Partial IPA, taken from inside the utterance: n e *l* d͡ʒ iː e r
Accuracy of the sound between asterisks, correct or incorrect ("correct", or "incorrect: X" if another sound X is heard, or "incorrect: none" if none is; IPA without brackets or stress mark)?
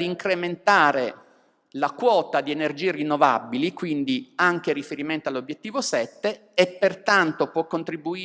incorrect: r